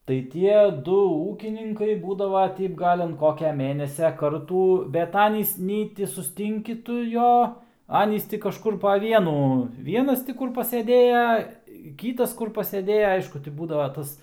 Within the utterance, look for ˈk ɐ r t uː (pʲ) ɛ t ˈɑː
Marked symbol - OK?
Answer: no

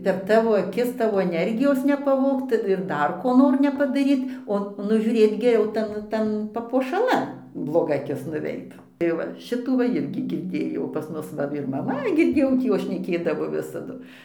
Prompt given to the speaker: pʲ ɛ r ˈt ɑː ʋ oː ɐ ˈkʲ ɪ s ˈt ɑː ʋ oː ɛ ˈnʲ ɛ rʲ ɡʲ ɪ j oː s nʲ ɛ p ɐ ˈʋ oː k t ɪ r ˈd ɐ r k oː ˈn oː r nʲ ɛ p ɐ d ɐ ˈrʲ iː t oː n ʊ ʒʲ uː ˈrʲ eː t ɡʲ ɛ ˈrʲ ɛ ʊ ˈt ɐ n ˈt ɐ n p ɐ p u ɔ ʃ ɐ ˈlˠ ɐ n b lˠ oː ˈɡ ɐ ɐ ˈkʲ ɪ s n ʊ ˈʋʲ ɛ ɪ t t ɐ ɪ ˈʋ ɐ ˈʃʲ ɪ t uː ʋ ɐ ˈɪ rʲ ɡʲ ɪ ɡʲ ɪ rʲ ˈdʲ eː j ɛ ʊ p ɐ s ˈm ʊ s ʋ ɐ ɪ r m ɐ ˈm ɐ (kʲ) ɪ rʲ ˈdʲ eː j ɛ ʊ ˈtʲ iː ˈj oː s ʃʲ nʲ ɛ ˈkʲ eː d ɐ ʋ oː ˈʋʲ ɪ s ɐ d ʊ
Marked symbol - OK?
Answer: no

